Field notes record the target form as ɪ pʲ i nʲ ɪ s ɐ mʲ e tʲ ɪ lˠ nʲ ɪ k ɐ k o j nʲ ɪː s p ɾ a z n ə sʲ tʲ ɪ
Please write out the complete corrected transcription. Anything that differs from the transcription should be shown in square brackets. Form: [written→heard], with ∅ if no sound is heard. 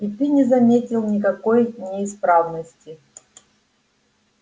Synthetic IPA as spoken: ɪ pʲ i nʲ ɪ [s→z] ɐ mʲ e tʲ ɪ lˠ nʲ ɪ k ɐ k o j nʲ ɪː s p ɾ a [z→v] n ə sʲ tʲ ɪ